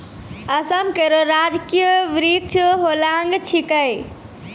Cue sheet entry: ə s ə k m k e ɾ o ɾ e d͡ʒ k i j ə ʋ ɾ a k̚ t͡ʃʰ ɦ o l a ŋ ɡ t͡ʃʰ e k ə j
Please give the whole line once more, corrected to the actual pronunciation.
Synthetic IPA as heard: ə s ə m k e ɾ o ɾ a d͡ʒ k i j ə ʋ ɾ i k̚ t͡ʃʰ ɦ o l a ŋ ɡ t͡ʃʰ i k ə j